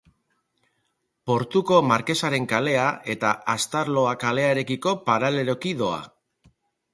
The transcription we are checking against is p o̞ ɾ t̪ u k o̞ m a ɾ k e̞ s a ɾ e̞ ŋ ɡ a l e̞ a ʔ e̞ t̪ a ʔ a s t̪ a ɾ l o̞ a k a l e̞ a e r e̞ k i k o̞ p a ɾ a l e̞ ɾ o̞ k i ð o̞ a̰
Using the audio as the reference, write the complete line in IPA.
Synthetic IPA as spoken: p o̞ ɾ t̪ u k o̞ m a ɾ k e̞ s a ɾ e̞ ŋ k a l e̞ a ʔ e̞ t̪ a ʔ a s t̪ a ɾ l o̞ a k a l e̞ a e ɾ e̞ k i k o̞ p a ɾ a l e̞ ɾ o̞ k i ð o̞ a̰

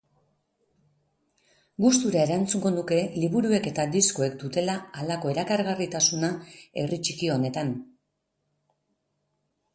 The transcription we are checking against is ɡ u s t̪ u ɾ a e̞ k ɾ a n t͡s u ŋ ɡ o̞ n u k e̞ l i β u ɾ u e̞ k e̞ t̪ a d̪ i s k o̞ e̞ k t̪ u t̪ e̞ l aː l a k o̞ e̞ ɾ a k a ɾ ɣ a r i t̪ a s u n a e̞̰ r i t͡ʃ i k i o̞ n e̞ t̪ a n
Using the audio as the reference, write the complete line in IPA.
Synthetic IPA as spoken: ɡ u s t̪ u ɾ a e̞ ɾ a n t͡s u ŋ ɡ o̞ n u k e̞ l i β u ɾ u e̞ k e̞ t̪ a d̪ i s k o̞ e̞ k d̪ u t̪ e̞ l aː l a k o̞ e̞ ɾ a k a ɾ ɣ a r i t̪ a s u n a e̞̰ r i t͡ʃ i k i o̞ n e̞ t̪ a n

